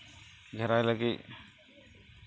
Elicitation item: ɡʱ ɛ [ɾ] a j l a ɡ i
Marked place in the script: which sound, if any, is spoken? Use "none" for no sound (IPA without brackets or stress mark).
ɾ